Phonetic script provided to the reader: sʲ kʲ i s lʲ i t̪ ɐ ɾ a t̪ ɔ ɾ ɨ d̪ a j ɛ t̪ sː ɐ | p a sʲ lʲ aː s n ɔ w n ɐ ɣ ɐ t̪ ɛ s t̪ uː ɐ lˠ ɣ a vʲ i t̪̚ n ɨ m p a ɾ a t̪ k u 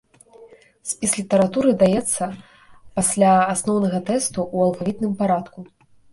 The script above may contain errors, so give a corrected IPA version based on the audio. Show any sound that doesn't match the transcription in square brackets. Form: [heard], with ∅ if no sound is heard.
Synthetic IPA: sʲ [pʲ] i s lʲ i t̪ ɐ ɾ a t̪ [u] ɾ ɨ d̪ a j ɛ t̪ sː ɐ | p a sʲ lʲ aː s n ɔ w n ɐ ɣ ɐ t̪ ɛ s t̪ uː ɐ lˠ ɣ a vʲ i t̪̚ n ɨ m p a ɾ a t̪ k u